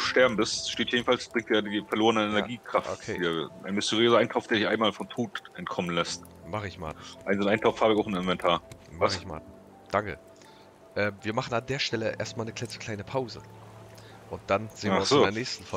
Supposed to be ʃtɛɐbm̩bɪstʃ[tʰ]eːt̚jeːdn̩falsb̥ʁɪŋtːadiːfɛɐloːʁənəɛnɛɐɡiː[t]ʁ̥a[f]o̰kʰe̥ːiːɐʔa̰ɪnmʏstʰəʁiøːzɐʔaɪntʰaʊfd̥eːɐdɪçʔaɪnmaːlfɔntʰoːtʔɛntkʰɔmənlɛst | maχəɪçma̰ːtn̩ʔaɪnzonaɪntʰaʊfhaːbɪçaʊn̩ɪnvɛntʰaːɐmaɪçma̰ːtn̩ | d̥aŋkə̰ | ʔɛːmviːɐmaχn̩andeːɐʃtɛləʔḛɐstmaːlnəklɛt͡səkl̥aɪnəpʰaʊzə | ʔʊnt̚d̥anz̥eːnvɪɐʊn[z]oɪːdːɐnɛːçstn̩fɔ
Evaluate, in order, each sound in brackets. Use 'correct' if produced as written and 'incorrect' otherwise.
incorrect: t, incorrect: k, correct, incorrect: s

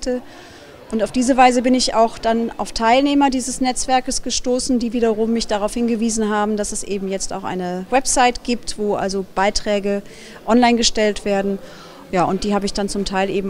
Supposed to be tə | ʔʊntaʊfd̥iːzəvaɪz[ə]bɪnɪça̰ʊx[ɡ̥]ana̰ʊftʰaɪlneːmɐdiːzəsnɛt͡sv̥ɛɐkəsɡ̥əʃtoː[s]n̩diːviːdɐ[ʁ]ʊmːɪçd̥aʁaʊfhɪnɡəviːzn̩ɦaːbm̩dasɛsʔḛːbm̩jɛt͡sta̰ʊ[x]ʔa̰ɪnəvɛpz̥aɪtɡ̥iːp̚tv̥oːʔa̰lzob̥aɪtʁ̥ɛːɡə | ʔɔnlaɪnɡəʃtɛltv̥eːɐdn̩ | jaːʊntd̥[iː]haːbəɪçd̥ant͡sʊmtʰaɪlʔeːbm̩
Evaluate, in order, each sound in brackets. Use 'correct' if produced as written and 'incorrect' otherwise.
correct, incorrect: d̥, correct, correct, correct, correct

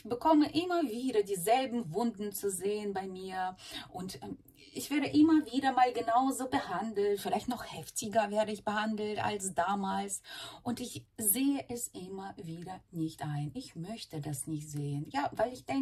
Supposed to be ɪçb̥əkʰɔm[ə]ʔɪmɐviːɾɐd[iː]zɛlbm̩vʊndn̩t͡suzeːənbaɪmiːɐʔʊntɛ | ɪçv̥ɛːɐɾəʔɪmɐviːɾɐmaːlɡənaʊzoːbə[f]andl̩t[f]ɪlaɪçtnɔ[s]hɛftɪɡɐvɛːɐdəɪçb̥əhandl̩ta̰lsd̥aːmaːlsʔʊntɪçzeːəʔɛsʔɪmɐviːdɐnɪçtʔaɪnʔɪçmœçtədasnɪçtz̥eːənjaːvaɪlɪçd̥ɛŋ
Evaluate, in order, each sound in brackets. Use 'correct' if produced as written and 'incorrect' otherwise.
correct, correct, incorrect: h, correct, incorrect: χ

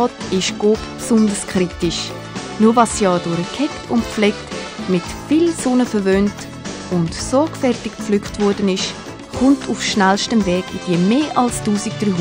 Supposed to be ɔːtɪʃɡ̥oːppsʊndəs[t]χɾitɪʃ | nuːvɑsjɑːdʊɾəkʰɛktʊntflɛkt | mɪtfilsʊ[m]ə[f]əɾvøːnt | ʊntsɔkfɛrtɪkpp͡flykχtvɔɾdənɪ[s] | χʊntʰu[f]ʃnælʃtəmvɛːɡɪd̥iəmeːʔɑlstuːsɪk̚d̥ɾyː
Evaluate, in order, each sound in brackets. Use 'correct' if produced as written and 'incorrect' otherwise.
incorrect: k, incorrect: n, correct, incorrect: ʃ, correct

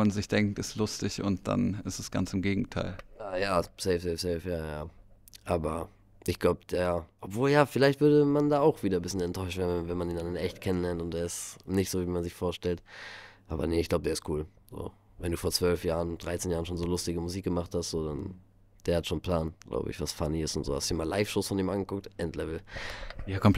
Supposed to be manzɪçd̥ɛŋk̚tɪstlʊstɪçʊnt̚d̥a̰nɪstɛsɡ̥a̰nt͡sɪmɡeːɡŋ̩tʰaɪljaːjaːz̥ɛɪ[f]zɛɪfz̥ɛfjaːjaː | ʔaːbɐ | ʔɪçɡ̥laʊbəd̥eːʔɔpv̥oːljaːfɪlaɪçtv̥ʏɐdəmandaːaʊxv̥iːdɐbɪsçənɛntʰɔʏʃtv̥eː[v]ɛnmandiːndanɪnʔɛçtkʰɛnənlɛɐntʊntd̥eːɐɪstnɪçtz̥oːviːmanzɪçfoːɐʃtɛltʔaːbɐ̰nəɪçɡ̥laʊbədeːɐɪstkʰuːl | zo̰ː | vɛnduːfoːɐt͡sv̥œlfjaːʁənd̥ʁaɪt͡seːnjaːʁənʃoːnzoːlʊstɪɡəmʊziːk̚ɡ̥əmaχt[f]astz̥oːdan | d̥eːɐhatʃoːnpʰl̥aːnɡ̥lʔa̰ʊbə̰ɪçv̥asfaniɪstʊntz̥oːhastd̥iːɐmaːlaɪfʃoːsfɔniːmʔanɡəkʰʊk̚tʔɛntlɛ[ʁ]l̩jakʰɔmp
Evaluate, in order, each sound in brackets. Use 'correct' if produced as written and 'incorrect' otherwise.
correct, correct, incorrect: h, incorrect: v

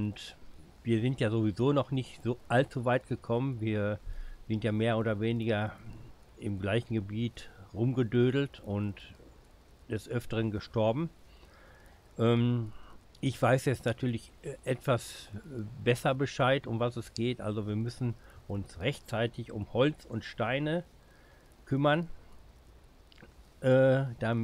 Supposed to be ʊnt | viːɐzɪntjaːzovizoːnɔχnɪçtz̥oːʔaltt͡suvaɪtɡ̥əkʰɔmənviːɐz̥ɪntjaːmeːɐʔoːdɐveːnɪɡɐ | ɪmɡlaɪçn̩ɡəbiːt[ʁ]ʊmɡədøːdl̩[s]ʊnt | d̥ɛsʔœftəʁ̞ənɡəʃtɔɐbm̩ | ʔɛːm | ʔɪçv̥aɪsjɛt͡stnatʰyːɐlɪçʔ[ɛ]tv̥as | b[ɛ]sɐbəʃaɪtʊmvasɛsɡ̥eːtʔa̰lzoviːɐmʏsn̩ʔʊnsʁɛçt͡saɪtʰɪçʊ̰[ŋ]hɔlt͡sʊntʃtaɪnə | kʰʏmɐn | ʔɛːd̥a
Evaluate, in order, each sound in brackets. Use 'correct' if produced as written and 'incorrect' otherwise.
correct, incorrect: t, correct, correct, incorrect: m

